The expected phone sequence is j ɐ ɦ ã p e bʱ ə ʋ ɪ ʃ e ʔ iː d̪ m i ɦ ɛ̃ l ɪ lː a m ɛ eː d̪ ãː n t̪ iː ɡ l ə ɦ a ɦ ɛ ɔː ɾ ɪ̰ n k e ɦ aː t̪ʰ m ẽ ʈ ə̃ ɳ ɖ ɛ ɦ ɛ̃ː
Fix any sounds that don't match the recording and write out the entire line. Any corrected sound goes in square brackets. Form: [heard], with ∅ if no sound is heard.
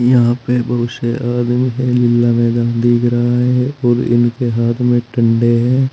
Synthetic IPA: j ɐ ɦ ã p e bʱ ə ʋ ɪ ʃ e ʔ [aː] d̪ m i ɦ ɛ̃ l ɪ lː a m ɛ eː d̪ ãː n [d̪] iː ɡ [ɾ] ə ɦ a ɦ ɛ ɔː ɾ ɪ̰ n k e ɦ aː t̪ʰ m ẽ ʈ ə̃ ɳ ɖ [e] ɦ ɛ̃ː